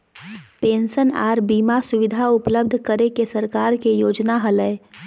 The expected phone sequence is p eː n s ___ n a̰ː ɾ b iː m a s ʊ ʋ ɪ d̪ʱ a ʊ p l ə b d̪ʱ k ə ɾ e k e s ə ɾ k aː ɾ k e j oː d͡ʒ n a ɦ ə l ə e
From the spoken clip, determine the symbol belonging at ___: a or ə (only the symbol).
ə